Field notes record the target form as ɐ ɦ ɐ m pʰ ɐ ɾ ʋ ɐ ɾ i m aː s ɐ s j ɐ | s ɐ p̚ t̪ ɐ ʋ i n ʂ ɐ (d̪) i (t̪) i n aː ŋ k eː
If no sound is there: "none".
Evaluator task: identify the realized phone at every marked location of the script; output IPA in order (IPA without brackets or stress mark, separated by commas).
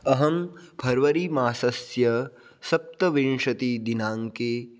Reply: t̪, d̪